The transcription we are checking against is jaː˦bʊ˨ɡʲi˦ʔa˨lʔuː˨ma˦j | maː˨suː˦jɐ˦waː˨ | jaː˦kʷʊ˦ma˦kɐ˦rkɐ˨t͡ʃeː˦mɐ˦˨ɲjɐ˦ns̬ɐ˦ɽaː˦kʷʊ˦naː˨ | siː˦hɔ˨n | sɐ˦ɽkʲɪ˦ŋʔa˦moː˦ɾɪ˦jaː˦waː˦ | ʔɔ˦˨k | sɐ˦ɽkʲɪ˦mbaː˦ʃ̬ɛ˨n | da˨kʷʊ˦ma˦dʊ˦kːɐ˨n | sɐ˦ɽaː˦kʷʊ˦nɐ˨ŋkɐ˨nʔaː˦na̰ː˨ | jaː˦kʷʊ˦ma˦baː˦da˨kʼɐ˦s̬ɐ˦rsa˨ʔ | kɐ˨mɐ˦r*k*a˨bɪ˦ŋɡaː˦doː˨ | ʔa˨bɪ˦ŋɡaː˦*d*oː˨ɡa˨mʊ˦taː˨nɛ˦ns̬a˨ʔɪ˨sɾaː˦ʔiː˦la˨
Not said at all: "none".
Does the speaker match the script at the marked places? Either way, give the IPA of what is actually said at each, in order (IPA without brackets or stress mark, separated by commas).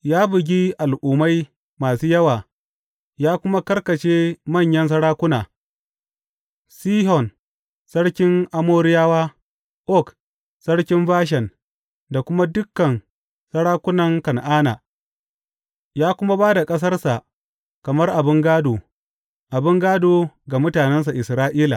ʔ, d